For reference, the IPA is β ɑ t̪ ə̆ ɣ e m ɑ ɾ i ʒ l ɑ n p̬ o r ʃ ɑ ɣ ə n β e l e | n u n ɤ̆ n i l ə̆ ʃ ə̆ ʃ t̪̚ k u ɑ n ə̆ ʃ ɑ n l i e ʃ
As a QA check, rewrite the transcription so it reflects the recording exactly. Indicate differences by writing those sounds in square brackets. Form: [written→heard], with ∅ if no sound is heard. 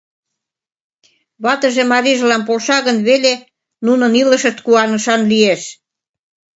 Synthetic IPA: β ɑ t̪ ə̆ [ɣ→ʒ] e m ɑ ɾ i ʒ l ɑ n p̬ o [r→l] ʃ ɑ ɣ ə n β e l e | n u n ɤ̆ n i l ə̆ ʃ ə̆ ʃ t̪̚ k u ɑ n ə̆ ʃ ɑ n l i e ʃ